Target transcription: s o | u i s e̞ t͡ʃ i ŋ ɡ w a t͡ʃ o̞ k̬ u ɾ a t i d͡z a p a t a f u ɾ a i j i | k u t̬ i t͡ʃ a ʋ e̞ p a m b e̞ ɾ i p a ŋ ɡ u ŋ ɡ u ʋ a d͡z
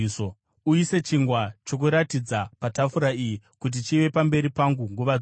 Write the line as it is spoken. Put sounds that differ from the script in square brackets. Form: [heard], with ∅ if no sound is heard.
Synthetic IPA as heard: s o | u i s e̞ t͡ʃ i ŋ ɡ w a t͡ʃ o̞ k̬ u ɾ a t i d͡z a p a t a f u ɾ a i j i | k u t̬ i t͡ʃ [i] ʋ e̞ p a m b e̞ ɾ i p a ŋ ɡ u ŋ ɡ u ʋ a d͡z